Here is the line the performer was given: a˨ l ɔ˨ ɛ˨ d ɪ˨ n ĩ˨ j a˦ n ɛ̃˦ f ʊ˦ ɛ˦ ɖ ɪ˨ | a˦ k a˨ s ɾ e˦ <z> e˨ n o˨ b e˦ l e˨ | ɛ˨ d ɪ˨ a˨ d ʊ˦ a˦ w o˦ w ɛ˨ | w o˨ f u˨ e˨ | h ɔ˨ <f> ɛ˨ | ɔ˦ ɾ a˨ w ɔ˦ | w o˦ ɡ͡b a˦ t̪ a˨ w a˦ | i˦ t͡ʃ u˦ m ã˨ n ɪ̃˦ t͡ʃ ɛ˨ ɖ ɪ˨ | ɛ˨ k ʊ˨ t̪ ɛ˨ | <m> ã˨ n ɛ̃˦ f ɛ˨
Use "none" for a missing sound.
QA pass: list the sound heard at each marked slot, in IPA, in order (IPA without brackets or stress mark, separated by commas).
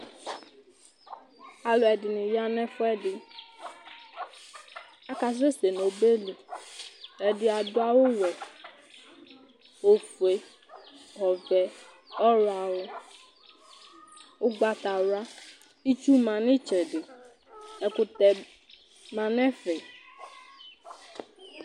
s, v, m